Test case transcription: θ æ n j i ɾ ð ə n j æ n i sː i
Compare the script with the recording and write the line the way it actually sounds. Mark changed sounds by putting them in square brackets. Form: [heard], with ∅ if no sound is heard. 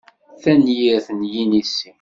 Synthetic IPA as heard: θ æ n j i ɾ [θ] ə n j [i] n i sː i